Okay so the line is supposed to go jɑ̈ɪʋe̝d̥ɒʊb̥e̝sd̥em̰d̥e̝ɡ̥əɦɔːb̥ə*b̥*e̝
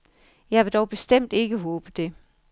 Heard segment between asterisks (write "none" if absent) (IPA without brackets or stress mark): d̥